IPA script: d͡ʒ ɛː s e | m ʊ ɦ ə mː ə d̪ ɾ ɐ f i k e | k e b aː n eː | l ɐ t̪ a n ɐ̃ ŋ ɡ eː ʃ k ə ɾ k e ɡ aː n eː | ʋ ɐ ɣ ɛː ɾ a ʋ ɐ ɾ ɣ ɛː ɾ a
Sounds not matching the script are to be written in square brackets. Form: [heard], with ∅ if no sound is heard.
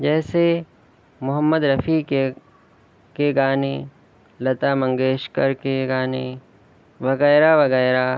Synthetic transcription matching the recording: d͡ʒ ɛː s e | m ʊ ɦ ə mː ə d̪ ɾ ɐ f i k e | k e [ɡ] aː n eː | l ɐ t̪ a [m] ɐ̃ ŋ ɡ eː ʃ k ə ɾ k e ɡ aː n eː | ʋ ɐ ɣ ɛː ɾ a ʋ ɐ [∅] ɣ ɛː ɾ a